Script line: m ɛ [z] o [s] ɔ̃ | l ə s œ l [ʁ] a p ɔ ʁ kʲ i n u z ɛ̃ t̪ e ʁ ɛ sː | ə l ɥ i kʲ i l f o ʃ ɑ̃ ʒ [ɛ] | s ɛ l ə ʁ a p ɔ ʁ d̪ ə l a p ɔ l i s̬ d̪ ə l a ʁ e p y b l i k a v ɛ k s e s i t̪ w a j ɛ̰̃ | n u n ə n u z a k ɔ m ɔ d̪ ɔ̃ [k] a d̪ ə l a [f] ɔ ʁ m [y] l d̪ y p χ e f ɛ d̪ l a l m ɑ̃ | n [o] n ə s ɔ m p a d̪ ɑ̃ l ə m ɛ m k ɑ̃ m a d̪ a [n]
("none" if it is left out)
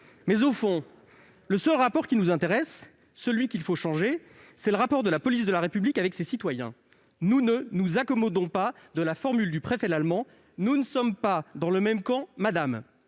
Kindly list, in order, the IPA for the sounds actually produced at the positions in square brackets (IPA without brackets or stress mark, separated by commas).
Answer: z, f, ʁ, e, p, f, y, u, m